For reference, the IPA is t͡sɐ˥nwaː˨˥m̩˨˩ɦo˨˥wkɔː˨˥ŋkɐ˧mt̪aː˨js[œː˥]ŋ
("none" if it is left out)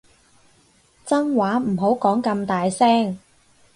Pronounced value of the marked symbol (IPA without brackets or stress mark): ɛː˥